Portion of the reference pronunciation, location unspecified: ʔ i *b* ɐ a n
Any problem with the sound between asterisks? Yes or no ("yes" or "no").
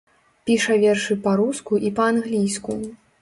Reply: yes